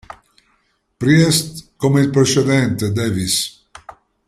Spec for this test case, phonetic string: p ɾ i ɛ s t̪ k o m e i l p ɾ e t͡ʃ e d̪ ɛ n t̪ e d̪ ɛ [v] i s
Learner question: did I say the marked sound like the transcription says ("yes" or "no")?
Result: yes